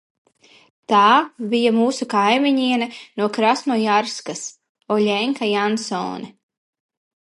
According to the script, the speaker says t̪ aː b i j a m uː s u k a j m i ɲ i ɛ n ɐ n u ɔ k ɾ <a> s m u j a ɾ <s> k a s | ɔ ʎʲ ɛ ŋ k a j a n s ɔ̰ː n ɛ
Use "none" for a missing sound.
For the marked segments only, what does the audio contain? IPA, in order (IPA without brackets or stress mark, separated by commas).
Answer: a, s